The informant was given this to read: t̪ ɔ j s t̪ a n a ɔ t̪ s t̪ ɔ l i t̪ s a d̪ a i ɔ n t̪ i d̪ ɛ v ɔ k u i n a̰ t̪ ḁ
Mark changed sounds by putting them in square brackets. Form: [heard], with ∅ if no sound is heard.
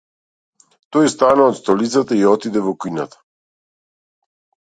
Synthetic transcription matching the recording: t̪ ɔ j s t̪ a n a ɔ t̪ s t̪ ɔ l i t̪ s a [t̪] a i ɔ [∅] t̪ i d̪ ɛ v ɔ k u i n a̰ t̪ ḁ

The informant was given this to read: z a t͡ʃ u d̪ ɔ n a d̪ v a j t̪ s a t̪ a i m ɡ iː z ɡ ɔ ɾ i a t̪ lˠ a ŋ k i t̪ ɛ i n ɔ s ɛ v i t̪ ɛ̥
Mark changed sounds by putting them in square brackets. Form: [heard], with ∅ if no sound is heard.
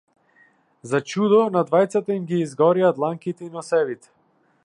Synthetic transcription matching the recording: z a t͡ʃ u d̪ ɔ n a d̪ v a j t̪ s a t̪ a i m ɡ iː z ɡ ɔ ɾ i a t̪ lˠ a ŋ k i t̪ ɛ i n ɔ s ɛ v i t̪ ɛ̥

